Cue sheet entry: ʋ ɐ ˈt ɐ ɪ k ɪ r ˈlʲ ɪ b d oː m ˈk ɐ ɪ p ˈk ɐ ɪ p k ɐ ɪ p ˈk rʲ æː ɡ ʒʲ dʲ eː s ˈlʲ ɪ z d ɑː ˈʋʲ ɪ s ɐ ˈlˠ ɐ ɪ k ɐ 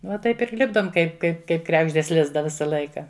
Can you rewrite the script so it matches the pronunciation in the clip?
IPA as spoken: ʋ ɐ ˈt ɐ ɪ p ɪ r ˈlʲ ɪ b d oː m ˈk ɐ ɪ p ˈk ɐ ɪ p k ɐ ɪ p ˈk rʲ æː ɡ ʒʲ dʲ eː s ˈlʲ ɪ z d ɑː ˈʋʲ ɪ s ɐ ˈlˠ ɐ ɪ k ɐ